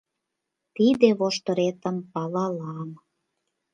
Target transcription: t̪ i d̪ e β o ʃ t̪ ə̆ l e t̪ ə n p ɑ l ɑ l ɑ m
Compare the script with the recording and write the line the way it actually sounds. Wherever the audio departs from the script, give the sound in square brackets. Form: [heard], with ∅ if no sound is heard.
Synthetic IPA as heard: t̪ i d̪ e β o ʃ t̪ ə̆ [ɾ] e t̪ ə [m] p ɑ l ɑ l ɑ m